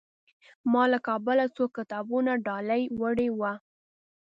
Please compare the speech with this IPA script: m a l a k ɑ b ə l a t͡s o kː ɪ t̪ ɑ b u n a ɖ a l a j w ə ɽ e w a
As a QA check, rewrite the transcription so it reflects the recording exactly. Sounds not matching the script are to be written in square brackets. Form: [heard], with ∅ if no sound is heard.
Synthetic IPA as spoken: m [ɑ] l a k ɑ b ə l a t͡s o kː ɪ t̪ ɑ b u n a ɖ [ɑ] l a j w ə ɽ e w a